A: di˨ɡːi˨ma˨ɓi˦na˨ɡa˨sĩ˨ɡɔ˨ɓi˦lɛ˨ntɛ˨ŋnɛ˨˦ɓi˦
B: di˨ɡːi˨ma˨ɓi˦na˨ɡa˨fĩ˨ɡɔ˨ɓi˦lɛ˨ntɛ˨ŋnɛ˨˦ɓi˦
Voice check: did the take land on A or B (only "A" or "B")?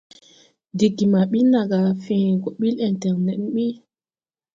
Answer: B